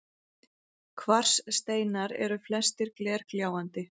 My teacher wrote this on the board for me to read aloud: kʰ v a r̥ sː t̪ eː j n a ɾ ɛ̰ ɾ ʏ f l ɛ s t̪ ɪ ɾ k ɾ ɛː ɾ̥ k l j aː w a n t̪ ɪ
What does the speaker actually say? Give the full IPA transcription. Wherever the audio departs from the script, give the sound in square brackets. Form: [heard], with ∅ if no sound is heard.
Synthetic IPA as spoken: kʰ v a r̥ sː t̪ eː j n a ɾ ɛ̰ ɾ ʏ f l ɛ s t̪ ɪ ɾ k [l] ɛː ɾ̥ k l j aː w a n t̪ ɪ